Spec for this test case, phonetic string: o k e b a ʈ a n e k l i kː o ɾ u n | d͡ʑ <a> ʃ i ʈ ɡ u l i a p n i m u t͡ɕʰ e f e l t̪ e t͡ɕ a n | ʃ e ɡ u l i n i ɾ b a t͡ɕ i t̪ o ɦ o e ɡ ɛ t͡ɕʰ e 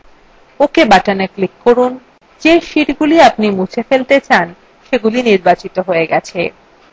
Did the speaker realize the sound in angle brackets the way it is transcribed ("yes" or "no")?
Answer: no